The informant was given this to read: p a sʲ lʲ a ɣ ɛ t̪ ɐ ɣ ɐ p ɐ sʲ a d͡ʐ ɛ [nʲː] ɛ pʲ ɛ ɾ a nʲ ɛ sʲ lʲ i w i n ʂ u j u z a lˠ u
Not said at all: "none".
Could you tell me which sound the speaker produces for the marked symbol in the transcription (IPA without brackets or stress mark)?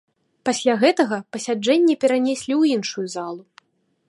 nʲː